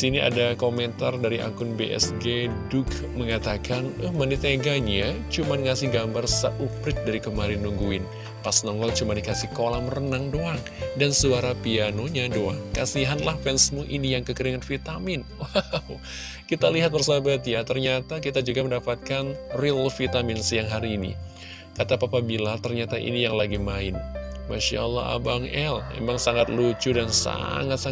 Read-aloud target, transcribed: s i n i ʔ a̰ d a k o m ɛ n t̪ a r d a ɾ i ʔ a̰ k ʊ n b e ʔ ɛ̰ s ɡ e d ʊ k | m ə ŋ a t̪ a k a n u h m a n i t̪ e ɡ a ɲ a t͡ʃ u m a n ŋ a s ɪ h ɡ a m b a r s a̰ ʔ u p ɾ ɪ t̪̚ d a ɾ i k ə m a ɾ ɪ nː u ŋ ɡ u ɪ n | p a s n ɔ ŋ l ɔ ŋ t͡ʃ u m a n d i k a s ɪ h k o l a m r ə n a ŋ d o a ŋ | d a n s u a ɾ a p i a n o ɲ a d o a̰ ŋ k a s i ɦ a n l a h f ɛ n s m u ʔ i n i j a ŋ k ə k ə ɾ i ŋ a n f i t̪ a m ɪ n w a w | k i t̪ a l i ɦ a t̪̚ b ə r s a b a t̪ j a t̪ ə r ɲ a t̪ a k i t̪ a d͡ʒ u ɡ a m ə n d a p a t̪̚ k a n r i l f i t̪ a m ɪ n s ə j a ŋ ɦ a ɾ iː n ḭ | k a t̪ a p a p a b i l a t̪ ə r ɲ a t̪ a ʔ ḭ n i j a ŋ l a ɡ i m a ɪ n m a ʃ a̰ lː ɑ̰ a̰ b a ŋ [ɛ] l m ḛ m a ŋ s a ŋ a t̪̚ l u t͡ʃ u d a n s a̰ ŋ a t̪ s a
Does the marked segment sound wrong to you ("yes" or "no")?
no